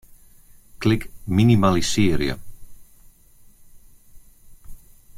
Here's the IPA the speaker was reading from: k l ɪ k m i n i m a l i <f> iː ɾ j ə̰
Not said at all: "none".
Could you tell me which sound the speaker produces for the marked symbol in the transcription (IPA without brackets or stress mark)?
s